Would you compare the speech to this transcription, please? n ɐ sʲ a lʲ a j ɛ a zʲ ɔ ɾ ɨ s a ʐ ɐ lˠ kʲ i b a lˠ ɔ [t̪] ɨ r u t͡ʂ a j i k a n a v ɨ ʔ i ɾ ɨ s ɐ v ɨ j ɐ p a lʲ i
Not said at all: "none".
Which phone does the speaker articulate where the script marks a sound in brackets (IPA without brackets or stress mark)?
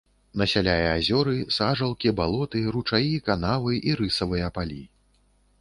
t̪